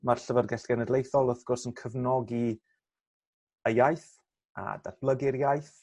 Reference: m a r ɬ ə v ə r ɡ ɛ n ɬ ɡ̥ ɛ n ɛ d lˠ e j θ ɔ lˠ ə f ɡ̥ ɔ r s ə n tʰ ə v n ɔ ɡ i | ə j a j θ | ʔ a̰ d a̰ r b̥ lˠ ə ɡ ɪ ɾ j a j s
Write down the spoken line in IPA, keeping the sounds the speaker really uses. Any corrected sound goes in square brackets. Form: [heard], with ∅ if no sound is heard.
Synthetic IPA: m a r ɬ ə v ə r ɡ ɛ [∅] ɬ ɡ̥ ɛ n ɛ d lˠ e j θ ɔ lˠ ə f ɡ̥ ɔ r s ə n [kʰ] ə v n ɔ ɡ i | ə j a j θ | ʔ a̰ d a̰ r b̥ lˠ ə ɡ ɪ ɾ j a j [θ]